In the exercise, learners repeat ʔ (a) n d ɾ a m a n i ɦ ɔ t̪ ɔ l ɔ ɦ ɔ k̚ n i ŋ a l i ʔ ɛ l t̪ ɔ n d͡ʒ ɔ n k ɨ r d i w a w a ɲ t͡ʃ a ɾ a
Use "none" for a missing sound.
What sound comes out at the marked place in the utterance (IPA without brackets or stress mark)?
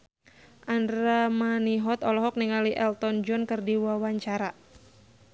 a